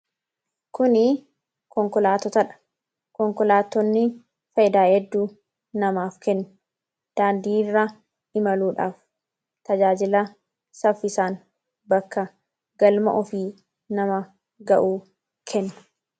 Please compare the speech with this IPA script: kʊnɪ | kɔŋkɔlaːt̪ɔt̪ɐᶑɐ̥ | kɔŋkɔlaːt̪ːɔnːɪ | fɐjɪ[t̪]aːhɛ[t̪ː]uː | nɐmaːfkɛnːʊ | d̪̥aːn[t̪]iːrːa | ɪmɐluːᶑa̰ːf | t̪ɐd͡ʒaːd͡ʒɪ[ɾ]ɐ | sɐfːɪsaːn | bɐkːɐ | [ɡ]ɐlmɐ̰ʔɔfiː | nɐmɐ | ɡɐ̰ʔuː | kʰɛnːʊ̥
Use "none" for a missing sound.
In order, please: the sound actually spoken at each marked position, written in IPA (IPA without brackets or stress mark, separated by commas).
d̪, d̪ː, d̪, l, ɡ